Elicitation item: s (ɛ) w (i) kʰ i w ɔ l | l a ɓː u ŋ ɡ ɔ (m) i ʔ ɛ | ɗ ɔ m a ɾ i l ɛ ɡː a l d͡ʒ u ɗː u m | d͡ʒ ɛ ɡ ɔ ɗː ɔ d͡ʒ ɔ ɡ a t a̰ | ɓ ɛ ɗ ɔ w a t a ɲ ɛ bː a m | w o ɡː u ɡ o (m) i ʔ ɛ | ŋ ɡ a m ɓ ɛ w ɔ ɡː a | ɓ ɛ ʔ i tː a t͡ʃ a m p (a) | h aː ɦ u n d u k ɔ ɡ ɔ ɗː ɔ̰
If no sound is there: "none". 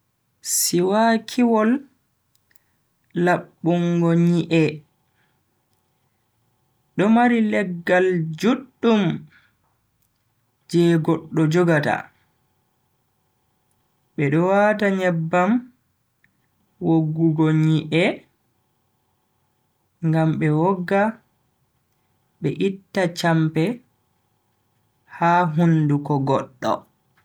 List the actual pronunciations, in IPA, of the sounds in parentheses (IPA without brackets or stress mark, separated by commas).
i, a, ɲ, ɲ, ɛ